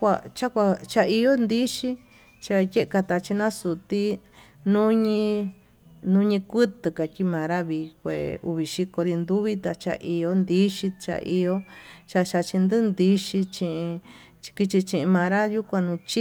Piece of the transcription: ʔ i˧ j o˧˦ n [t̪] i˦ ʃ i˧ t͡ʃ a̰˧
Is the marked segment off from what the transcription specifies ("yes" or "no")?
yes